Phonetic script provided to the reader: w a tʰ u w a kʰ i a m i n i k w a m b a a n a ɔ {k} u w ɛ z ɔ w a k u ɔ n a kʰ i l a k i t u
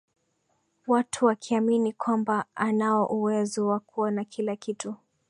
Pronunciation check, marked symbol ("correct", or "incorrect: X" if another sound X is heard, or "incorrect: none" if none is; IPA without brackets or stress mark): incorrect: ʔ